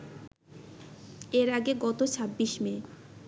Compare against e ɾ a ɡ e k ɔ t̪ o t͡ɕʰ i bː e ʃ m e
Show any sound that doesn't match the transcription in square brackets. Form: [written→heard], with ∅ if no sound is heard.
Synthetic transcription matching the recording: e ɾ a ɡ e [k→ɡ] ɔ t̪ o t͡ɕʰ [i→a] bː [e→i] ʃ m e